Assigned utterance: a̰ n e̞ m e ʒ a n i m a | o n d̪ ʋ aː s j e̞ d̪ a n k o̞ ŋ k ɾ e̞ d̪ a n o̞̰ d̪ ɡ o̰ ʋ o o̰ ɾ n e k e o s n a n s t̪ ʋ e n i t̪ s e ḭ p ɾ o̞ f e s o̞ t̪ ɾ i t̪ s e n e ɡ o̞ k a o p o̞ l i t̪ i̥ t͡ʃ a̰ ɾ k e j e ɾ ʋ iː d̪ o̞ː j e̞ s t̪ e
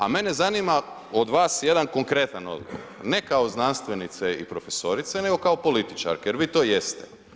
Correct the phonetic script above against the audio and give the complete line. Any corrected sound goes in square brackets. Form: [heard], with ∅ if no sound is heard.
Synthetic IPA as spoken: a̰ [m] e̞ [n] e [z] a n i m a | o [∅] d̪ ʋ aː s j e̞ d̪ a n k o̞ ŋ k ɾ e̞ [t̪] a n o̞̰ d̪ ɡ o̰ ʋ o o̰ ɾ n e k [a] o [z] n a n s t̪ ʋ e n i t̪ s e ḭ p ɾ o̞ f e s o̞ [∅] ɾ i t̪ s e n e ɡ o̞ k a o p o̞ l i t̪ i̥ t͡ʃ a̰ ɾ k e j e ɾ ʋ iː [t̪] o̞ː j e̞ s t̪ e